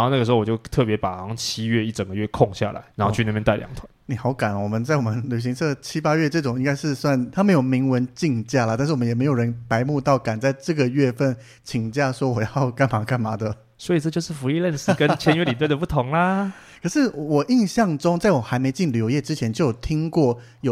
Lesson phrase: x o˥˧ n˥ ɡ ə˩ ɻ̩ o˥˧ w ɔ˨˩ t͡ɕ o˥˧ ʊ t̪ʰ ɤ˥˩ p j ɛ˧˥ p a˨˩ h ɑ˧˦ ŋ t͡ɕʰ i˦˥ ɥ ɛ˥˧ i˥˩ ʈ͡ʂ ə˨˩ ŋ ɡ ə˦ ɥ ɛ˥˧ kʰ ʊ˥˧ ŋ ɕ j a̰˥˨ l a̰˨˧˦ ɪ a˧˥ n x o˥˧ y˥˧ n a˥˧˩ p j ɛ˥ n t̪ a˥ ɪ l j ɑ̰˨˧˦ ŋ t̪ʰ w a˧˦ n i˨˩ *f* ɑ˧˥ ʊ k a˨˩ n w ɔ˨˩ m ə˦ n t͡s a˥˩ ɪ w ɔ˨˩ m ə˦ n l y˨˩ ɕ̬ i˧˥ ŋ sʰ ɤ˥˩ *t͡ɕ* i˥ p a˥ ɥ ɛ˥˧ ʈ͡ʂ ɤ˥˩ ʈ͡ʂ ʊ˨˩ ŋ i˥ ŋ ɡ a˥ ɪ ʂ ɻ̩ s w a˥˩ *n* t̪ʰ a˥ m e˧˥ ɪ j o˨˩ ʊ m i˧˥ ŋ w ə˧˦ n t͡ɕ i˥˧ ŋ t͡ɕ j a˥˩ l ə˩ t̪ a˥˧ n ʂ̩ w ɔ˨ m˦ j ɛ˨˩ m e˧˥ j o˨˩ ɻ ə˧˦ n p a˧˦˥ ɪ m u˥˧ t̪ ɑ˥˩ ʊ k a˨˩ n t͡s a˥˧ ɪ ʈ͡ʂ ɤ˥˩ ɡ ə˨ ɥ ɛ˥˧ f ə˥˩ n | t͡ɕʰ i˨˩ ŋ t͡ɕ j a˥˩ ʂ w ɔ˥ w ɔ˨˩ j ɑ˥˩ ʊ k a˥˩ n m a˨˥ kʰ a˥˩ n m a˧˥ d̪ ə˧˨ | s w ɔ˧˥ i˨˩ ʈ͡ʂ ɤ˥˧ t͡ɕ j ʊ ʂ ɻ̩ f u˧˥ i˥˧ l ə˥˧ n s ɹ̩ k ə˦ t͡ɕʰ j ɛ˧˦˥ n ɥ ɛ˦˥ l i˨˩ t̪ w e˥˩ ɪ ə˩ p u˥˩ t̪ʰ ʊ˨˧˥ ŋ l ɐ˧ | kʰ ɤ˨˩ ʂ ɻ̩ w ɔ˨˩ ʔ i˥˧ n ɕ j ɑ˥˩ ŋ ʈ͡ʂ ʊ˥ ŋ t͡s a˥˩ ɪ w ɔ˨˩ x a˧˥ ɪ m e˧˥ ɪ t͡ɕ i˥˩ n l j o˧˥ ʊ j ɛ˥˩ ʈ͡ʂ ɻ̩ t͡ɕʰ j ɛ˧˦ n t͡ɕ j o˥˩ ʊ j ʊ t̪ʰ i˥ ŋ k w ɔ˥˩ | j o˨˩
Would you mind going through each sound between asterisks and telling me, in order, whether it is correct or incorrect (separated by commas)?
incorrect, incorrect, correct